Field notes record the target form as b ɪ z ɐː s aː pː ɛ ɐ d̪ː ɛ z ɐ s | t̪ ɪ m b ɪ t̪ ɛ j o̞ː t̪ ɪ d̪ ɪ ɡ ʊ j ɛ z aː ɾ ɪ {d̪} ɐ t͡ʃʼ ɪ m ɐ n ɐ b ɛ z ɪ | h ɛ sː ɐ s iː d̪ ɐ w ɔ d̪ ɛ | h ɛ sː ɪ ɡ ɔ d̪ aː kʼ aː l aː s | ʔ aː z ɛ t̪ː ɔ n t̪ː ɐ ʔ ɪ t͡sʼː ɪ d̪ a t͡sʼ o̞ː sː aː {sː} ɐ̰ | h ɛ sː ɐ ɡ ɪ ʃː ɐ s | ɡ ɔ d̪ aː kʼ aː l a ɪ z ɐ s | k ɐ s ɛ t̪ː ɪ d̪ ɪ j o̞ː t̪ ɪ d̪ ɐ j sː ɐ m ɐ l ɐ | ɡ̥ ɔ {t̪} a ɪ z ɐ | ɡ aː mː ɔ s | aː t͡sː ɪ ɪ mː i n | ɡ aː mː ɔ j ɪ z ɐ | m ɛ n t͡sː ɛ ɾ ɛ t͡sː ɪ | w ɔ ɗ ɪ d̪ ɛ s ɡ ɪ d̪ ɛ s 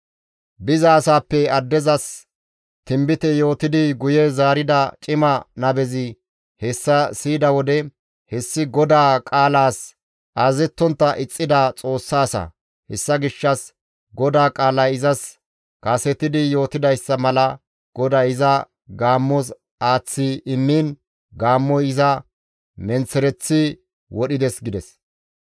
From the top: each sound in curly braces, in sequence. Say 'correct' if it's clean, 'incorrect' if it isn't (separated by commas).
correct, incorrect, incorrect